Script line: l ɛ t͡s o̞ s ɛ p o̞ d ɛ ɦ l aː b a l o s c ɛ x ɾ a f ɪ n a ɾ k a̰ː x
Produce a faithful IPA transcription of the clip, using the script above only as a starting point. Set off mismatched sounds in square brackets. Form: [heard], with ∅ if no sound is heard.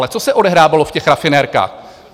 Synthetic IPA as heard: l ɛ t͡s o̞ s ɛ [ʔ] o̞ d ɛ ɦ [ɾ] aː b a l o [f] c ɛ x ɾ a f ɪ n [ɛ] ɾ k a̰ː x